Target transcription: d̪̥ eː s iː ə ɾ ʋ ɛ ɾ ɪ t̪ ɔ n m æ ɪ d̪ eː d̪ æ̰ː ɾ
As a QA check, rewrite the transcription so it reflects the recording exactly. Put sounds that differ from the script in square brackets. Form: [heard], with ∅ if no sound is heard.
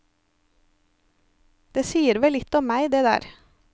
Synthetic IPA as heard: d̪̥ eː s iː ə ɾ ʋ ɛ [l] ɪ t̪ ɔ [m] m æ ɪ d̪ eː d̪ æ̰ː ɾ